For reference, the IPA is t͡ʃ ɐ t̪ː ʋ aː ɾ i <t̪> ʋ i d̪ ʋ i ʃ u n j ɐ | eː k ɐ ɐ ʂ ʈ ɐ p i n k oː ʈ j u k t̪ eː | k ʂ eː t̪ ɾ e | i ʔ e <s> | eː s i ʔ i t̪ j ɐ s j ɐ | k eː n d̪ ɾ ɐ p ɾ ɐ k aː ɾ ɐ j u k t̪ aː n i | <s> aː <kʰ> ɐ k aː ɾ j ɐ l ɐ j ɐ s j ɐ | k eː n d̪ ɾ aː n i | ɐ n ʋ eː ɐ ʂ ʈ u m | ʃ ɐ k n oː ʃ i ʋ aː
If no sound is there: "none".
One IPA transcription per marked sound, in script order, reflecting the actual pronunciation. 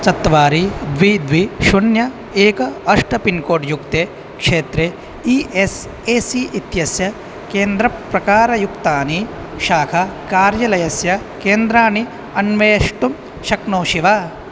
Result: d̪, s, ʃ, kʰ

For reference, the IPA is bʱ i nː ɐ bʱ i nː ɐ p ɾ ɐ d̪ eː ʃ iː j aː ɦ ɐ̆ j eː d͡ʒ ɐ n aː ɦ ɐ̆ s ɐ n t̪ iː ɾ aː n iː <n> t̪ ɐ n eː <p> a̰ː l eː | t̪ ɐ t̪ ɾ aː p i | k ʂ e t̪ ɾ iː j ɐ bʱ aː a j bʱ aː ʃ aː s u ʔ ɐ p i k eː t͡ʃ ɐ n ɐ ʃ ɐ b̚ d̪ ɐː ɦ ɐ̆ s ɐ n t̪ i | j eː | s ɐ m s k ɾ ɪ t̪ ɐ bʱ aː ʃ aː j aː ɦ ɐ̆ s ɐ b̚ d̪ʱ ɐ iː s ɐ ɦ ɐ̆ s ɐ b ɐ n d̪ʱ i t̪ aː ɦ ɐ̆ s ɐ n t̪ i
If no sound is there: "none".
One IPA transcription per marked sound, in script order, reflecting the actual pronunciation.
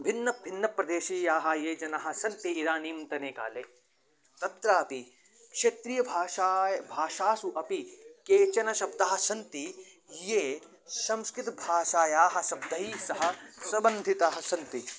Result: m, k

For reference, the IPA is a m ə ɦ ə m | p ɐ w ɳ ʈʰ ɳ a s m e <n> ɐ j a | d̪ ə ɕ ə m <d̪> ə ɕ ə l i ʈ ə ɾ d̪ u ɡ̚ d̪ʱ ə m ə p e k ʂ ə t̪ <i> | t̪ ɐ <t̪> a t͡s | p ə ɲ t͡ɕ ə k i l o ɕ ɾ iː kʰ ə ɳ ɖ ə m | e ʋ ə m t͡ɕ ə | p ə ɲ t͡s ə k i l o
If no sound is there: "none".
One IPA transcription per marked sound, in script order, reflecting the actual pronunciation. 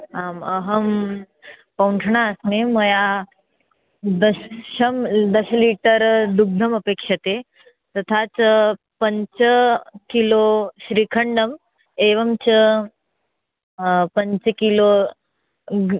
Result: m, d̪, e, t̪ʰ

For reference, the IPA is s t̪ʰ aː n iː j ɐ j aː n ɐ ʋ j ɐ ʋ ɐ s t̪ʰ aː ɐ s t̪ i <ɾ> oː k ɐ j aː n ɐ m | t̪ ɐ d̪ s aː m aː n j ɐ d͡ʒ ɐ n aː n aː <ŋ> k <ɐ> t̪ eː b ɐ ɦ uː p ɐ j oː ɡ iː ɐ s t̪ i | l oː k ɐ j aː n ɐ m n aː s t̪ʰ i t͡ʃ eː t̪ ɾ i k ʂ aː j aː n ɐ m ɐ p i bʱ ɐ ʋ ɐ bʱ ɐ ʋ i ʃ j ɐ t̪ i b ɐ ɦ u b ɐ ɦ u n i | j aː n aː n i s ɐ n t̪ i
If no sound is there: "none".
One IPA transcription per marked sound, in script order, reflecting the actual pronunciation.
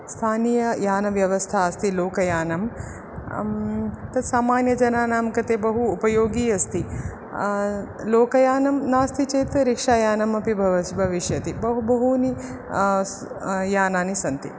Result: l, m, ɐ

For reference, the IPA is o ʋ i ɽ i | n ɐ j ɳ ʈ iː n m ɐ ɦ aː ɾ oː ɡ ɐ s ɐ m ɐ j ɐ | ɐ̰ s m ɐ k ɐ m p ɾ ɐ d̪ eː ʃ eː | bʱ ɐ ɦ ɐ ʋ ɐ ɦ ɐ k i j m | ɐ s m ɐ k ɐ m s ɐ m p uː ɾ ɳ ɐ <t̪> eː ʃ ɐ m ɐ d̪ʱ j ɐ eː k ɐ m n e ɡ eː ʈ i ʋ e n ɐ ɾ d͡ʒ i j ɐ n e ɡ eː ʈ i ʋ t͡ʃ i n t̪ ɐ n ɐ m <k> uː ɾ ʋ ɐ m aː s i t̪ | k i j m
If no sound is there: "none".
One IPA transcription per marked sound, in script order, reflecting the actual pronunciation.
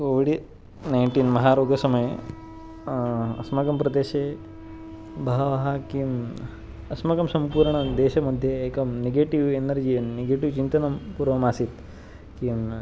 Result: d̪, p

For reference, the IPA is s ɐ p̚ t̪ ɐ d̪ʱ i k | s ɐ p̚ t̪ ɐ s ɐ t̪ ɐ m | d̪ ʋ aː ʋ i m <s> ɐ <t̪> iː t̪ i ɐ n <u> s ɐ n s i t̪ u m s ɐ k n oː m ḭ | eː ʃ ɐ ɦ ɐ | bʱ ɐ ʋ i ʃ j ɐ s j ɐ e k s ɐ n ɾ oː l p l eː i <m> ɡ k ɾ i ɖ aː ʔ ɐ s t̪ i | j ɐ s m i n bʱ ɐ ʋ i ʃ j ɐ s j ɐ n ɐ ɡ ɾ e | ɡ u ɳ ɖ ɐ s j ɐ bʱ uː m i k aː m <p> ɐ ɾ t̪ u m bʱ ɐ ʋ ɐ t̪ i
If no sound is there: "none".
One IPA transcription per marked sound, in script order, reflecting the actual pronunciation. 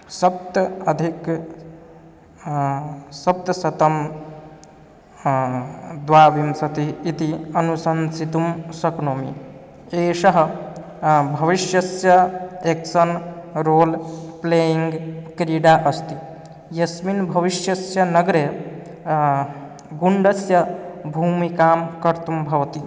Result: s, t̪, u, ŋ, k

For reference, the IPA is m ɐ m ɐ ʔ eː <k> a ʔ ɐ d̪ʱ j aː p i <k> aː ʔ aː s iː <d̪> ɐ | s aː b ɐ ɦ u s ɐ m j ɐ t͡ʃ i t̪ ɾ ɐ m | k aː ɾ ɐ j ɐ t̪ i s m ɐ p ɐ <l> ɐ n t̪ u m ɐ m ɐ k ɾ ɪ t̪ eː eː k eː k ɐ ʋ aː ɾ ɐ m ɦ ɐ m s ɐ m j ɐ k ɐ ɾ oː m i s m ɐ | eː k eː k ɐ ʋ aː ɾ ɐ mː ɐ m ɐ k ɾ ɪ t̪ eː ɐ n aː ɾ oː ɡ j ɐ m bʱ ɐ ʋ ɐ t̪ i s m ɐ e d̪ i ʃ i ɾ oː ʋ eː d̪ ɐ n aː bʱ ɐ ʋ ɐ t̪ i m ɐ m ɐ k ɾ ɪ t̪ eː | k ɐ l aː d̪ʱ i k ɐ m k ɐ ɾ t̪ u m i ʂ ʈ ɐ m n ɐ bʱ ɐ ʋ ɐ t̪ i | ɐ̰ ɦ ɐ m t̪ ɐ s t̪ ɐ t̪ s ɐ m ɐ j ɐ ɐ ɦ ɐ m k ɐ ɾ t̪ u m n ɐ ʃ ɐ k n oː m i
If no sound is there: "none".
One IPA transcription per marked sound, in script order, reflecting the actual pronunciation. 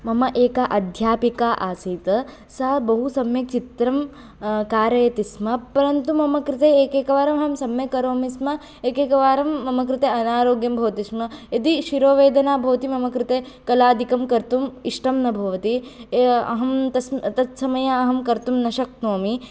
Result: k, k, t̪, ɾ

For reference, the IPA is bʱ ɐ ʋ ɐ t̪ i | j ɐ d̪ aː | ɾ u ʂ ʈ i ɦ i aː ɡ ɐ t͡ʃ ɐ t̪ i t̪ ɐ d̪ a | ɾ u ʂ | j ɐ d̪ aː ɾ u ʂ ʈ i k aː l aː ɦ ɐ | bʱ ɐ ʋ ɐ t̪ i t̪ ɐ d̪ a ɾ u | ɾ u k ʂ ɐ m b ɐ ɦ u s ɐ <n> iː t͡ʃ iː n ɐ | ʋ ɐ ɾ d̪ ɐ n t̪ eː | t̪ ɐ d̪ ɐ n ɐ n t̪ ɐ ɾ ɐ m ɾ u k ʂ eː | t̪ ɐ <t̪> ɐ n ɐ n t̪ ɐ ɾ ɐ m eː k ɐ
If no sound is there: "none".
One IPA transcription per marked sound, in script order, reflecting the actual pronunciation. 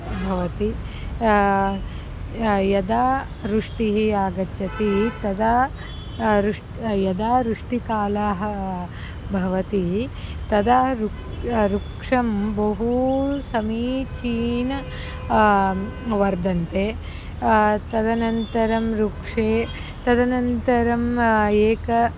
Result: m, d̪

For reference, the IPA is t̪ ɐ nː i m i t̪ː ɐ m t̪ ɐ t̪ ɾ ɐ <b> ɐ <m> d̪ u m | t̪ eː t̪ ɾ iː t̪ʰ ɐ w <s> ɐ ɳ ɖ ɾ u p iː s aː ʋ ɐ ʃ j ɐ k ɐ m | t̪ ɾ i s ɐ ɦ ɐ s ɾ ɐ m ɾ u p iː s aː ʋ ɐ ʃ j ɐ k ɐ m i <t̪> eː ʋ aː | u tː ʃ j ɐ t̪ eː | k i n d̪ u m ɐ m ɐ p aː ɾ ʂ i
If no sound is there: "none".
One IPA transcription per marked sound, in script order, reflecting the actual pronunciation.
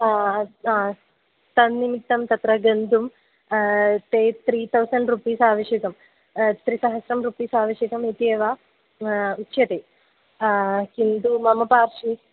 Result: ɡ, n, s, t̪

